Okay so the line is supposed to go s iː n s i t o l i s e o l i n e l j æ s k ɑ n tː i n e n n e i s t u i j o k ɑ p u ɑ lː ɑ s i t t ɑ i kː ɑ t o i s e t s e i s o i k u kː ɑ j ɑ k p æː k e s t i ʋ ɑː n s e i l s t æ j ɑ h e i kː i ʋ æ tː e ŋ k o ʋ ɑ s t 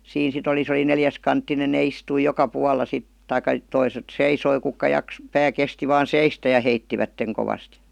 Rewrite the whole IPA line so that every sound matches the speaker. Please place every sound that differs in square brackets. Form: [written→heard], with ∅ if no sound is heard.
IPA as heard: s iː n s i t o l i s e o l i n e l j æ s k ɑ n tː i n e n n e i s t u i j o k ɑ p u ɑ lː ɑ s i t t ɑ i kː ɑ t o i s e t s e i s o i k u kː ɑ j ɑ k p æː k e s t i ʋ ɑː n s e i [l→∅] s t æ j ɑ h e i [kː→tː] i ʋ æ tː e ŋ k o ʋ ɑ s t